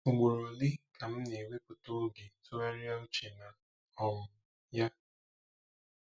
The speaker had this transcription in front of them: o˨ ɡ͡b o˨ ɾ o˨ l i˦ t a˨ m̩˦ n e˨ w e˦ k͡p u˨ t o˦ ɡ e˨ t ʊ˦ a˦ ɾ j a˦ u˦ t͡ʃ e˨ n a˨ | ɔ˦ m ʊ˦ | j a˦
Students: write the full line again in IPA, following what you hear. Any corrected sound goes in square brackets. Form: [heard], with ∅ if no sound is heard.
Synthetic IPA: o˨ ɡ͡b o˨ ɾ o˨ l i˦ [k] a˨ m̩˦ n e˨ w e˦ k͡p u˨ t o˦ ɡ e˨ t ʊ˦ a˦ ɾ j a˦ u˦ t͡ʃ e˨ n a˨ | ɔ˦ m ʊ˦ | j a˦